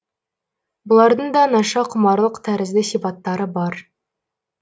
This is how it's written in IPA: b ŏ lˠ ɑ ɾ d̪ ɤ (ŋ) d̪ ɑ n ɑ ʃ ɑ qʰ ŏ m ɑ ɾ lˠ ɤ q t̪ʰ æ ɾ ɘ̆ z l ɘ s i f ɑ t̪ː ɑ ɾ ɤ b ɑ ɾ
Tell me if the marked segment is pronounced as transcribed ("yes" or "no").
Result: no